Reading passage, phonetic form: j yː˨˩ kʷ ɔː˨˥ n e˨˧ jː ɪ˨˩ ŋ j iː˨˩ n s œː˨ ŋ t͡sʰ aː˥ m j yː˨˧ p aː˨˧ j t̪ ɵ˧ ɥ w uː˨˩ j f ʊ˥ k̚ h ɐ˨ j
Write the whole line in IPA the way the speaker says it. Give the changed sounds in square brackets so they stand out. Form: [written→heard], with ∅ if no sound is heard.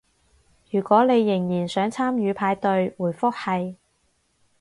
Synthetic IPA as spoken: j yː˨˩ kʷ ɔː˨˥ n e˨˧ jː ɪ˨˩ ŋ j iː˨˩ n s [œː˨→œː˨˥] ŋ t͡sʰ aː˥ m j yː˨˧ [p→pʰ] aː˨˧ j t̪ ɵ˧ ɥ w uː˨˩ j f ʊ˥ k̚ h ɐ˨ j